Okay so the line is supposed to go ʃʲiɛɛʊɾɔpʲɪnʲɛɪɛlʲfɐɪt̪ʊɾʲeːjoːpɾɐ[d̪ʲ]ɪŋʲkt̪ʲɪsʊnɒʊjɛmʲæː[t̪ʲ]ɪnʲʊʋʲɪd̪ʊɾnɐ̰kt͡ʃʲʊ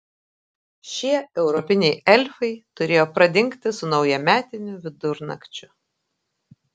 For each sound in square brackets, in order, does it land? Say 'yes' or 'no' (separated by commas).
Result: yes, yes